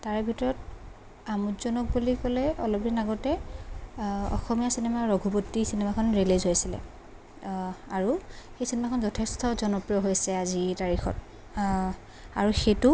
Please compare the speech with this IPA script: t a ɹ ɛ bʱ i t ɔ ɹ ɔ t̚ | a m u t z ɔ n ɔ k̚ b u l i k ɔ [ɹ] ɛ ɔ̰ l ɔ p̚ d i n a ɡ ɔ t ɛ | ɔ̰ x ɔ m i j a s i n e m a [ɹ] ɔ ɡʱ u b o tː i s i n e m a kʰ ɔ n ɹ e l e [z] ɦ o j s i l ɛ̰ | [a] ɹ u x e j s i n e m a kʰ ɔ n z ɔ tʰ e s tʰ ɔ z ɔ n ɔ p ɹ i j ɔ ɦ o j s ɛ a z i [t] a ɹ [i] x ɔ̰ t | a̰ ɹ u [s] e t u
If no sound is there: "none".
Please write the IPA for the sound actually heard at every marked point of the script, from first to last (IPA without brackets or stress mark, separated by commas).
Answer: l, ɹ, z, a, t, i, x